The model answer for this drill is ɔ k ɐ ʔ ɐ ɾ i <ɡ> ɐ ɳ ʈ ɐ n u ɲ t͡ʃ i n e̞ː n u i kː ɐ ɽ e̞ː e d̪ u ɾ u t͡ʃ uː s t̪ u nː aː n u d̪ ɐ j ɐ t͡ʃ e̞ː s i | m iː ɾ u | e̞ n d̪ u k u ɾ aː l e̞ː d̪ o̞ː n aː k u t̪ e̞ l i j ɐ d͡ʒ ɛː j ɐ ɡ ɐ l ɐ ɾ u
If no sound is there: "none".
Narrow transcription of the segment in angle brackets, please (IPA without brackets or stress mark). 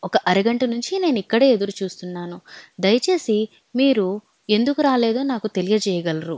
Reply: ɡ